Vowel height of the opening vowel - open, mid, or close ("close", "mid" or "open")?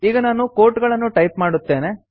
close